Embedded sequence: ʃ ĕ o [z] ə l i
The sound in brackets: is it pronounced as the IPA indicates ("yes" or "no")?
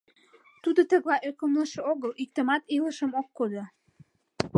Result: no